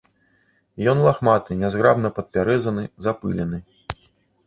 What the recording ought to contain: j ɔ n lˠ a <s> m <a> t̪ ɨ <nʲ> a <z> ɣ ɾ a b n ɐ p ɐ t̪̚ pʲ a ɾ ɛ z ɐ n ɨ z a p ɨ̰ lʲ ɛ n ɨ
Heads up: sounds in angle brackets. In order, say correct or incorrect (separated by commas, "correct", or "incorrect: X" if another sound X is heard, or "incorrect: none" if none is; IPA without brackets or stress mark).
incorrect: x, correct, correct, correct